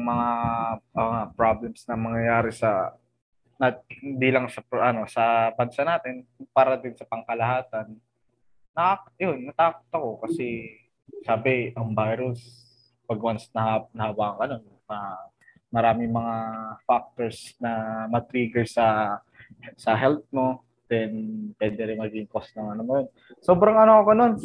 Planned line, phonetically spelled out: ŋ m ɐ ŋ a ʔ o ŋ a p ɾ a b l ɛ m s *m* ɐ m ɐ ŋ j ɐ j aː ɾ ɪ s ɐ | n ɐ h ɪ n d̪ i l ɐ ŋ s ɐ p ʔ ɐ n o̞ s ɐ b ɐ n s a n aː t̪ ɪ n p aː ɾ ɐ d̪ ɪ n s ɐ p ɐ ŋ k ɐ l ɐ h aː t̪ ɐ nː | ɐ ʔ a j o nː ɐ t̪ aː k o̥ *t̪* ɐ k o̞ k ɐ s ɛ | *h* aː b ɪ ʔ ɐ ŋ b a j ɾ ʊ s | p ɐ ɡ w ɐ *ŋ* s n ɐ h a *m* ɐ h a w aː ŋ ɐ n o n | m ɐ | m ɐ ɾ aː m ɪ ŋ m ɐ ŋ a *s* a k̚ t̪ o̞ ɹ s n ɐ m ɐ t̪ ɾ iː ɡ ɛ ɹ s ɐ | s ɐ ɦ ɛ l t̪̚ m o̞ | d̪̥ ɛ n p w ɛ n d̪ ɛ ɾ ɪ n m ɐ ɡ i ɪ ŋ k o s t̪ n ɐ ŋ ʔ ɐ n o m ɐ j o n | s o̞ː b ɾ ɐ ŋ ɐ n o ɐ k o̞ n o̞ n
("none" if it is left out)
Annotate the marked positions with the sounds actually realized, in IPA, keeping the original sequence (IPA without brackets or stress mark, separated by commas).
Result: n, t̪, s, n, n, f